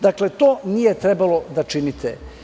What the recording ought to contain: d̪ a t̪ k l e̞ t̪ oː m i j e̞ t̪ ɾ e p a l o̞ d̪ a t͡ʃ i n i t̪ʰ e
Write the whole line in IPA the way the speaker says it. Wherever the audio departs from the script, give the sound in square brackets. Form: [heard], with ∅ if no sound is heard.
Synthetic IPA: d̪ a [∅] k l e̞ t̪ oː [n] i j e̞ t̪ ɾ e [b] a l o̞ d̪ a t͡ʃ i n i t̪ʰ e